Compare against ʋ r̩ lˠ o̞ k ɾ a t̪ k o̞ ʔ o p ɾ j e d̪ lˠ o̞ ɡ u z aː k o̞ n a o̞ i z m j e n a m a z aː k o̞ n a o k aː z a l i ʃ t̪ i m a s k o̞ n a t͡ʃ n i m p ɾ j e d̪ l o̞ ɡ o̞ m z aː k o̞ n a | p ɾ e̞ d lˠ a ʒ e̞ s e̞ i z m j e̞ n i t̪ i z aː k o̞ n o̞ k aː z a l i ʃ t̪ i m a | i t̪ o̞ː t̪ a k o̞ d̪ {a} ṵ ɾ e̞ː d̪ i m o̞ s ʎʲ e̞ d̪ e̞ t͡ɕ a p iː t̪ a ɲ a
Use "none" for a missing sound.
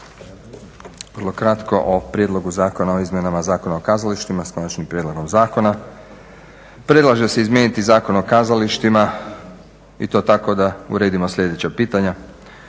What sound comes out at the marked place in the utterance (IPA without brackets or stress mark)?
a